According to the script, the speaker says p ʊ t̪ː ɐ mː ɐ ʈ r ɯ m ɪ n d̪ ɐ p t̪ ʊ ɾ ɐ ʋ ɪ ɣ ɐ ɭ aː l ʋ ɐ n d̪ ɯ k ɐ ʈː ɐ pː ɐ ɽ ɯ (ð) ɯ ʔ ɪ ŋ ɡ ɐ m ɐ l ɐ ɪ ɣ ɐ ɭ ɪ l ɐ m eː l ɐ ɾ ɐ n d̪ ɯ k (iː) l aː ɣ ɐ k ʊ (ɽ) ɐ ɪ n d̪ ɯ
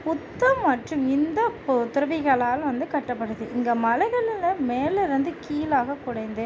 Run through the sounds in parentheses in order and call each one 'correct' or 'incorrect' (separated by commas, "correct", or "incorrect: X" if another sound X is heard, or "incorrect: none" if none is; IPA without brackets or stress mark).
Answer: correct, correct, correct